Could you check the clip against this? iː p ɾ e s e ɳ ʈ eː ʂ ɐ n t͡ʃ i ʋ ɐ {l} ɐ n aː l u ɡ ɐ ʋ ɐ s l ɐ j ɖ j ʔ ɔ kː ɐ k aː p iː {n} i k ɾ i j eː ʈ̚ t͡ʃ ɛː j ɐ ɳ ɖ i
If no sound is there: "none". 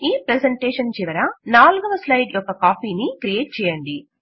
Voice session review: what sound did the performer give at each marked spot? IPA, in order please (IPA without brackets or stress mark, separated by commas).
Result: ɾ, n